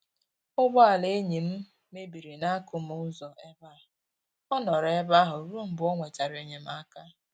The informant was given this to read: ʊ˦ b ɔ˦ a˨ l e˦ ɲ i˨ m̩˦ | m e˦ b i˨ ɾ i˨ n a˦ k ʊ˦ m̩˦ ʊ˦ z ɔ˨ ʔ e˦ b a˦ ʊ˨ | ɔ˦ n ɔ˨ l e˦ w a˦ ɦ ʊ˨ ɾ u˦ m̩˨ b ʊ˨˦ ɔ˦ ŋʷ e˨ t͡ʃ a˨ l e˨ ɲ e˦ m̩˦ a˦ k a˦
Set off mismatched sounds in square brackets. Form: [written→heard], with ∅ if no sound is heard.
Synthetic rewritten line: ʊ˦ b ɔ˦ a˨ l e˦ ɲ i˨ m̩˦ | m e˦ b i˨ ɾ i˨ n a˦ k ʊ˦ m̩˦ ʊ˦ z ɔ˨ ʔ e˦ b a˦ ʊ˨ | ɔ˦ n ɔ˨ [l→ɾ] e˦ [w→b] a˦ ɦ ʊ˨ ɾ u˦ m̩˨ b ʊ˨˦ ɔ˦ ŋʷ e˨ t͡ʃ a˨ [l→ɾ] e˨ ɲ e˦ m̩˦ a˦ k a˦